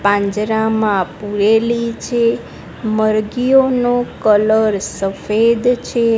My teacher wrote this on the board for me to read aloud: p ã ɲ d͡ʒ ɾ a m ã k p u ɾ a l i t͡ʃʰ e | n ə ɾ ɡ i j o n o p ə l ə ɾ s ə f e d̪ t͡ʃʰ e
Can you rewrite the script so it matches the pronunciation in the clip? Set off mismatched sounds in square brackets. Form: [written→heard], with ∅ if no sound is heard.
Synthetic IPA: p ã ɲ d͡ʒ ɾ a m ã [k→∅] p u ɾ [a→e] l i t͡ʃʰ e | [n→m] ə ɾ ɡ i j o n o [p→k] ə l ə ɾ s ə f e d̪ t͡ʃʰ e